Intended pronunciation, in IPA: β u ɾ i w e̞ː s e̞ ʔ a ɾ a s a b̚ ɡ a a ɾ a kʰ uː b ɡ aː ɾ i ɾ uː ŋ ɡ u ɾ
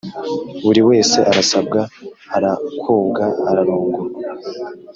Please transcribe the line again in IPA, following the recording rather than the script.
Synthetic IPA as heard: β u ɾ i w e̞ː s e̞ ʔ a ɾ a s a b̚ ɡ a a ɾ a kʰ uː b ɡ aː ɾ a ɾ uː ŋ ɡ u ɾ